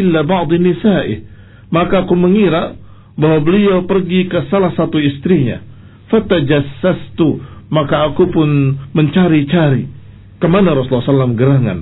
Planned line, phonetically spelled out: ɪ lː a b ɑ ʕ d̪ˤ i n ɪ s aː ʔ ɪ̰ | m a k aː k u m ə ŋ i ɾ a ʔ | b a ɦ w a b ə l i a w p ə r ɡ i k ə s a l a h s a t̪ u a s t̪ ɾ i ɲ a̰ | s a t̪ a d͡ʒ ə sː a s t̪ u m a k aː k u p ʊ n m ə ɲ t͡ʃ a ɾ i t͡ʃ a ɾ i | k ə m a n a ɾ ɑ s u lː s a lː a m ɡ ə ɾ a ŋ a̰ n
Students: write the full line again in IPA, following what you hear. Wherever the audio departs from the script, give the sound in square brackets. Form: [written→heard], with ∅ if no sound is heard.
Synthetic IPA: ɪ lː a b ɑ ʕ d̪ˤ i n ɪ s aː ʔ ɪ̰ | m a k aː k u m ə ŋ i ɾ a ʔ | b a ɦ w a b ə l i a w p ə r ɡ i k ə s a l a h s a t̪ u [a→i] s t̪ ɾ i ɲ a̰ | [s→f] a t̪ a d͡ʒ [ə→a] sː a s t̪ u m a k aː k u p ʊ n m ə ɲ t͡ʃ a ɾ i t͡ʃ a ɾ i | k ə m a n a ɾ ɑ s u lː s a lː a m ɡ ə ɾ a ŋ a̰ n